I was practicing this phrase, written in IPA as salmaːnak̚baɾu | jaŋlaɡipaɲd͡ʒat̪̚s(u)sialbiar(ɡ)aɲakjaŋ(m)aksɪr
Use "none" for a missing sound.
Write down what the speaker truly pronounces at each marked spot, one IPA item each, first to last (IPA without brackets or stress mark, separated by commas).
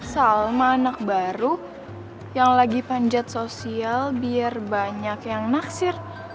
o, b, n